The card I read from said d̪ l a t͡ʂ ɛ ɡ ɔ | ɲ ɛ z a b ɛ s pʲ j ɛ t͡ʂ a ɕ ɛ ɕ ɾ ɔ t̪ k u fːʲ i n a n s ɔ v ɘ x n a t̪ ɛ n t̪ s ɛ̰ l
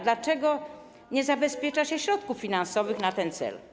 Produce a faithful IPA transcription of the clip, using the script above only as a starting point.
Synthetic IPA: d̪ l a t͡ʂ ɛ ɡ ɔ | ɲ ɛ z a b ɛ s pʲ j ɛ t͡ʂ a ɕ ɛ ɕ ɾ ɔ t̪ k u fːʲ i n a n s ɔ v ɘ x n a t̪ ɛ n t̪ s ɛ̰ l